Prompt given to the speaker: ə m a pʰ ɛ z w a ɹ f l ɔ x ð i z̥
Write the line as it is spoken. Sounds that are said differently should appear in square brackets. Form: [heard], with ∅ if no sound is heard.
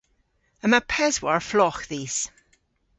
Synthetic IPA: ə m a pʰ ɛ z w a ɹ f l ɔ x ð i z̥